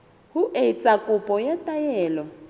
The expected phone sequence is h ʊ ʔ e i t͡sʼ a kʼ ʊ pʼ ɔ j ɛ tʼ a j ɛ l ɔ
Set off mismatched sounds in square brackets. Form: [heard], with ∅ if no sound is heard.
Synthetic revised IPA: h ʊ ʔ e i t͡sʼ a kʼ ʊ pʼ ɔ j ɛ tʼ a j [ɛː] l ɔ